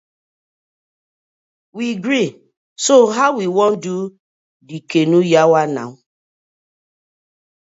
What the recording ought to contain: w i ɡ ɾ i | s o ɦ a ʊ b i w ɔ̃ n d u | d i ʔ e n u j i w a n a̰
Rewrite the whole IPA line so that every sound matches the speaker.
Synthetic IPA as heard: w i ɡ ɾ i | s o ɦ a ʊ w i w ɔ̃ n d u | d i k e n u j a w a n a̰